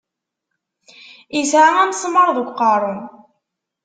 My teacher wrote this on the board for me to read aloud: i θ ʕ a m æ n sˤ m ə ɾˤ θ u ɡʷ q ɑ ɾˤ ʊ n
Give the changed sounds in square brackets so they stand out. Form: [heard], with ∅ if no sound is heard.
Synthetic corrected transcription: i [s] ʕ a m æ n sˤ m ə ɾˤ [ð] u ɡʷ q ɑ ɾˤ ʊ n